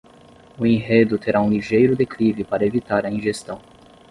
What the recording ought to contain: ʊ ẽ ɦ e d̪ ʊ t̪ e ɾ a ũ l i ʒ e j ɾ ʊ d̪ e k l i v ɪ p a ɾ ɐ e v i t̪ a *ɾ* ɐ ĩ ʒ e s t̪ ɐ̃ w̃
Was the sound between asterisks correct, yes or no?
yes